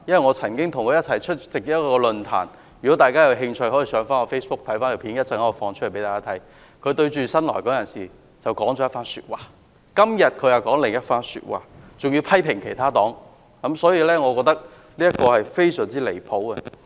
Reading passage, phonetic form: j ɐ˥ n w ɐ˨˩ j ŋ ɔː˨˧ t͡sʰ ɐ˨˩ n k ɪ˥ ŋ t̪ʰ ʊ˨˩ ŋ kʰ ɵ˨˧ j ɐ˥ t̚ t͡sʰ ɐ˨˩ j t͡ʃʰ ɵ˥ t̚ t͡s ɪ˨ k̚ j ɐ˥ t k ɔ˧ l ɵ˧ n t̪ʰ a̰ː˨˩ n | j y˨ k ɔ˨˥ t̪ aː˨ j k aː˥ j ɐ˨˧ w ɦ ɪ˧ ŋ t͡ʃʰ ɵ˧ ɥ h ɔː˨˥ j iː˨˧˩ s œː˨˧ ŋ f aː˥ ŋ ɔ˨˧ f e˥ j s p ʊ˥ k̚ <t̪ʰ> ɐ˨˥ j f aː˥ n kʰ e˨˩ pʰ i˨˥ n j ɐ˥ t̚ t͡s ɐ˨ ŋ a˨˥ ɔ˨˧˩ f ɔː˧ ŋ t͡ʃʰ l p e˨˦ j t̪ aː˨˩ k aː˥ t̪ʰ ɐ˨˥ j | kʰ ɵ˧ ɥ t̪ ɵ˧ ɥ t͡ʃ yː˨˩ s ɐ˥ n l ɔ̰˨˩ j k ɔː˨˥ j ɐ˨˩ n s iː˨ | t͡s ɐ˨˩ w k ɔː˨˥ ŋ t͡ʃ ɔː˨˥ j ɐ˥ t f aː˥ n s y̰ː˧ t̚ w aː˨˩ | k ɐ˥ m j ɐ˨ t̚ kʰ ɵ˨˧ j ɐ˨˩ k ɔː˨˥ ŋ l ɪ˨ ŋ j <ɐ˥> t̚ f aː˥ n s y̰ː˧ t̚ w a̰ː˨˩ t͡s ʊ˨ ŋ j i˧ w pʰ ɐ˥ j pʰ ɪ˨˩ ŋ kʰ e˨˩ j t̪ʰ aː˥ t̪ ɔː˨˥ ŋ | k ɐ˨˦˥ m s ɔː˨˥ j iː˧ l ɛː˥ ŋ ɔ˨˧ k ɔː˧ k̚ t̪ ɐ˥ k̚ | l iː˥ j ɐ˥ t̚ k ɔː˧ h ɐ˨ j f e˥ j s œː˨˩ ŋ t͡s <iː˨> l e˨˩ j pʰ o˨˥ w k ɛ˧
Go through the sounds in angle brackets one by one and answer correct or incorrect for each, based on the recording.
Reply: correct, correct, incorrect

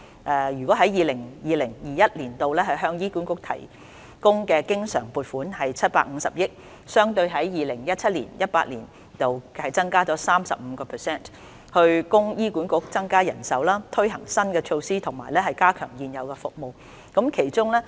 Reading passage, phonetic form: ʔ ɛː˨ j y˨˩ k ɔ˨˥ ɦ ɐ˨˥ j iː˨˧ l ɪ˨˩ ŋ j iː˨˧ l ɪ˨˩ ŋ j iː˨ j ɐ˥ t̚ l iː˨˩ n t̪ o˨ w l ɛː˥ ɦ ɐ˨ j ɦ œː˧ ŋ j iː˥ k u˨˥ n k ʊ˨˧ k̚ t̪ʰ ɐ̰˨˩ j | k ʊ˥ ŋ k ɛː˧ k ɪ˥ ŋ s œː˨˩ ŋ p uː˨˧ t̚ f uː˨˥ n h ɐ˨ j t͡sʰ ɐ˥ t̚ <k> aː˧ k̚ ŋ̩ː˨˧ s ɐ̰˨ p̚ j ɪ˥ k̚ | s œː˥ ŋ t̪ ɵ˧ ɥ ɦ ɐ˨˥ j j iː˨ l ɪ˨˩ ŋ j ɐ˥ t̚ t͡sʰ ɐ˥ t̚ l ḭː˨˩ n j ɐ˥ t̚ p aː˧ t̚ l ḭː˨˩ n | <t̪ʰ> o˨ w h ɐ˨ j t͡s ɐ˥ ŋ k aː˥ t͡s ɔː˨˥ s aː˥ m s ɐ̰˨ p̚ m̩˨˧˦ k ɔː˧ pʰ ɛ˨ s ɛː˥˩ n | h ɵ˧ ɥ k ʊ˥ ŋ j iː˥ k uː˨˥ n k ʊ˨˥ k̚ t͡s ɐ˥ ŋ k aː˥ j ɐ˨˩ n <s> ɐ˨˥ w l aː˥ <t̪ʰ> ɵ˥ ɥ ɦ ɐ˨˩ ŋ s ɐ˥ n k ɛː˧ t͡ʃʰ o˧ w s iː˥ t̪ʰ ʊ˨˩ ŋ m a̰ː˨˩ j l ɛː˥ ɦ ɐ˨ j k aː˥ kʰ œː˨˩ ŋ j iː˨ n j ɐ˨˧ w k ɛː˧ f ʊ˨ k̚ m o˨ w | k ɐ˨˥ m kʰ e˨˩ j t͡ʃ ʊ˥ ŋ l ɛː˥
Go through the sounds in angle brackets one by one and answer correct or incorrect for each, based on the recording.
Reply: incorrect, incorrect, correct, correct

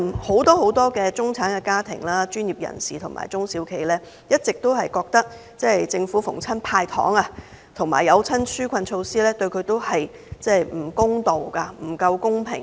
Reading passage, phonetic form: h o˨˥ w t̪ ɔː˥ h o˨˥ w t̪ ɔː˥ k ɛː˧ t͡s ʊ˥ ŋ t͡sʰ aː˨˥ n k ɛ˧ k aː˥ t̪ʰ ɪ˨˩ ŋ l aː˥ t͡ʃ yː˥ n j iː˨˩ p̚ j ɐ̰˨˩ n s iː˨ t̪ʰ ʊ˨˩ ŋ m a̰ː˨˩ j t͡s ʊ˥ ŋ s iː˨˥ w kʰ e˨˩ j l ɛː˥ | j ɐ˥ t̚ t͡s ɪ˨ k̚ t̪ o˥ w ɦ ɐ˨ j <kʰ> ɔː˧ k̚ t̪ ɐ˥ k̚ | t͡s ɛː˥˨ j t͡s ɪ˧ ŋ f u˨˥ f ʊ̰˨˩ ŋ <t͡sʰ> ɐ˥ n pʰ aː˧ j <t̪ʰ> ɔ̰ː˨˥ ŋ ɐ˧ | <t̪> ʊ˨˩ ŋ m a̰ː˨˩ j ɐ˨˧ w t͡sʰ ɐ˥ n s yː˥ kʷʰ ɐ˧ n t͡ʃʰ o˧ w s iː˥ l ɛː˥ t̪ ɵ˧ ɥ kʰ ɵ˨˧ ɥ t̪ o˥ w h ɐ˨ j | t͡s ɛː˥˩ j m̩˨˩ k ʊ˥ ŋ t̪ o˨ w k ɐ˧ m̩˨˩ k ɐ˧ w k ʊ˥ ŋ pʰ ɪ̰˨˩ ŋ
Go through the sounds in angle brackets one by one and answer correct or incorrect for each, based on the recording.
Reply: incorrect, correct, correct, incorrect

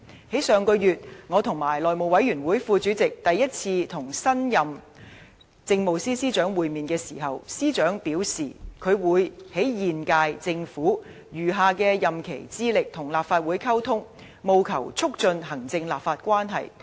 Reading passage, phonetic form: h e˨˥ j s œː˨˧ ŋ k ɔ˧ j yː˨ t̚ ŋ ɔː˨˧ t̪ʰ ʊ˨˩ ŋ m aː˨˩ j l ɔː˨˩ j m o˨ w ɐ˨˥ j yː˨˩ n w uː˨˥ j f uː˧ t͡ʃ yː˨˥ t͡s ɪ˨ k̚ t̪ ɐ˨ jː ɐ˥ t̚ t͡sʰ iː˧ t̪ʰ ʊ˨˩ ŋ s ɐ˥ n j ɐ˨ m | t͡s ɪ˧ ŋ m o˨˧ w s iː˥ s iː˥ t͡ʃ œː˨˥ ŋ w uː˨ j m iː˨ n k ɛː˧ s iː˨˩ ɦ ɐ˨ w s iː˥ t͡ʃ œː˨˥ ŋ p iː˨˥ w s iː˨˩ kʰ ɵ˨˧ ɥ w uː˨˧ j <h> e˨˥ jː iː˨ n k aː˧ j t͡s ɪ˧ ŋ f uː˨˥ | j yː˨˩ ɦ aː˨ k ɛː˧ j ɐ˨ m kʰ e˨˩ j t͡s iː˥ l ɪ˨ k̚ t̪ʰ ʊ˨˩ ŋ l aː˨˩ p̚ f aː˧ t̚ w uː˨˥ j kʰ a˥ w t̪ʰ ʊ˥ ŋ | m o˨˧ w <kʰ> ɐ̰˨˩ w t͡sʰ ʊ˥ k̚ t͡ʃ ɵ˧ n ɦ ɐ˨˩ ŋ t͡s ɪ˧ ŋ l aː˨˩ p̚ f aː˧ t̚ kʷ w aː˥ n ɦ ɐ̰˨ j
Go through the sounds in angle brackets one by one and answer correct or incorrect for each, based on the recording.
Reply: correct, correct

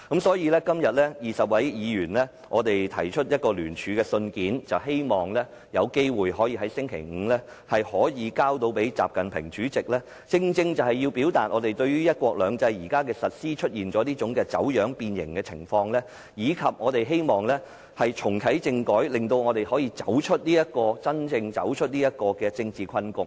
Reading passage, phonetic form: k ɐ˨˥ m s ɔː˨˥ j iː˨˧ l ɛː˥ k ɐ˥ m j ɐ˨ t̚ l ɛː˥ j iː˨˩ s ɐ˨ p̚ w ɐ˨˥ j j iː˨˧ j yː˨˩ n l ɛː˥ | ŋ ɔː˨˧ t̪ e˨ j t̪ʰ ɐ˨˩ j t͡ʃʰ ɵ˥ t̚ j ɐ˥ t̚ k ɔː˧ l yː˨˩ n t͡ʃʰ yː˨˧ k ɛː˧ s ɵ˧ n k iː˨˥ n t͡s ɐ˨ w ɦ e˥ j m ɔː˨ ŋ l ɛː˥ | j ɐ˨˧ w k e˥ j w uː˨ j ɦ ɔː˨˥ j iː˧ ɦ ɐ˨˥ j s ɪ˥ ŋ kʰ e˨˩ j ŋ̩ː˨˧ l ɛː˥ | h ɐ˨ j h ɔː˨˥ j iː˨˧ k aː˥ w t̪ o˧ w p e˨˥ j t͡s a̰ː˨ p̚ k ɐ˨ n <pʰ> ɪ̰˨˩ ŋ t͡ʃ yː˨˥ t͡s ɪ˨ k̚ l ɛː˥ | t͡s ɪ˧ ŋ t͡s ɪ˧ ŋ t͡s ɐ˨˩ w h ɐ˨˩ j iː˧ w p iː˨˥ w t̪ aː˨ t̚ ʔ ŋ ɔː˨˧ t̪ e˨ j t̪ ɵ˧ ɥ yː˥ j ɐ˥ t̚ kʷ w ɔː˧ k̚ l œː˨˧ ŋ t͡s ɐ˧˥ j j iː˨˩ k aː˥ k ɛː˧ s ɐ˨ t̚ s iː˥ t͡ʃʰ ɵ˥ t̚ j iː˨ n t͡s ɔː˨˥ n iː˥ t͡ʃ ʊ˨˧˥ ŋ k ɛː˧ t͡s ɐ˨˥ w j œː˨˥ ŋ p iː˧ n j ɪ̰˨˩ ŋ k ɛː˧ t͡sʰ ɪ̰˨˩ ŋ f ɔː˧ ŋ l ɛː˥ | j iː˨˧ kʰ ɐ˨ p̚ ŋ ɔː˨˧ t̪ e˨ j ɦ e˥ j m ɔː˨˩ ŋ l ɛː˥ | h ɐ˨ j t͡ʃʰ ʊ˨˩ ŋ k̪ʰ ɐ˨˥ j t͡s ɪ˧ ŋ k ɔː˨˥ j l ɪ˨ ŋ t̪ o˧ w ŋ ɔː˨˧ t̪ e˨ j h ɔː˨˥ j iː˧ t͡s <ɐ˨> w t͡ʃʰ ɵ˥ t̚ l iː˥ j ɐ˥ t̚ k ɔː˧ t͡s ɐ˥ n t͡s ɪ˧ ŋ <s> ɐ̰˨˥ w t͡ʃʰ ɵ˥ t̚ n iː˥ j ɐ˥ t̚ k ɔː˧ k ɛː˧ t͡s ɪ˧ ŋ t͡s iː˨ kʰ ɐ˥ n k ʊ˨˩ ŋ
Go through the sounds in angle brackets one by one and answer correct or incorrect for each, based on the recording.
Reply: correct, incorrect, incorrect

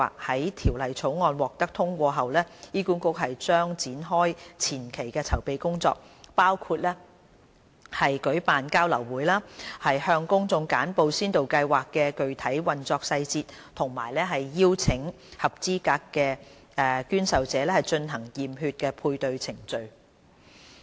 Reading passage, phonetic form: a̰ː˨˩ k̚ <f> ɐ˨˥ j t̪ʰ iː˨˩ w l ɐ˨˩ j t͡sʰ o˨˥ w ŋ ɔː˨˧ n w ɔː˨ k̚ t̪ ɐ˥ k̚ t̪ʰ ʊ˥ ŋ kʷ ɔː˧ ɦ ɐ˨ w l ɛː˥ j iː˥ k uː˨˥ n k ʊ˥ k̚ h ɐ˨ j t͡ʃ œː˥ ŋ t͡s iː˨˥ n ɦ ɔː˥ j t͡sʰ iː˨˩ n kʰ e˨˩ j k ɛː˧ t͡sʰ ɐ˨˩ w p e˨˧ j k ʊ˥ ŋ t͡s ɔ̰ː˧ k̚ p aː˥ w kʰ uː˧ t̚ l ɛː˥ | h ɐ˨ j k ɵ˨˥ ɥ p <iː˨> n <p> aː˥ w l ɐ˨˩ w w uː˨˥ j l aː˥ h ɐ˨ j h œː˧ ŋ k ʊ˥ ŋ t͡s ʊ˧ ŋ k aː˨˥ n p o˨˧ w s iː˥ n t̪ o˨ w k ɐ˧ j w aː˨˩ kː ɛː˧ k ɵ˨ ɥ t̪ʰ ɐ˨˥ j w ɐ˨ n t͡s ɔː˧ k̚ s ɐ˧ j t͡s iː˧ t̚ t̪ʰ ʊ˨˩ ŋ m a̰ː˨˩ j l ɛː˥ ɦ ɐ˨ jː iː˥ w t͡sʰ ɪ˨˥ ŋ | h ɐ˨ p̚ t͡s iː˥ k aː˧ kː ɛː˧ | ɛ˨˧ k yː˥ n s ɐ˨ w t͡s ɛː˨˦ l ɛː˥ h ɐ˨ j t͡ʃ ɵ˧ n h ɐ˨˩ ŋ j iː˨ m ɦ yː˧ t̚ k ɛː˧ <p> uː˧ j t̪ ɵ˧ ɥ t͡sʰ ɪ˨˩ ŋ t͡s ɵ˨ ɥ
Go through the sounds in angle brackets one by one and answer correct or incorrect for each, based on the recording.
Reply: incorrect, incorrect, incorrect, incorrect

